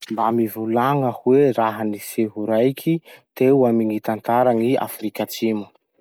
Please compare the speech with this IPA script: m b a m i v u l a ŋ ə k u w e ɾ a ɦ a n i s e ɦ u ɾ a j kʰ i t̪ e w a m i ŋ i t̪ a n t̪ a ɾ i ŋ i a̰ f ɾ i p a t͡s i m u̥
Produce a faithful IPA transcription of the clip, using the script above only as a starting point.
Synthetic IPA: m b a m i v u l a ŋ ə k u w e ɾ a ɦ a n i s e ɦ u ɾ a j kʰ i t̪ e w a m i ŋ i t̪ a n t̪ a ɾ a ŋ i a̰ f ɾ i k a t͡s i m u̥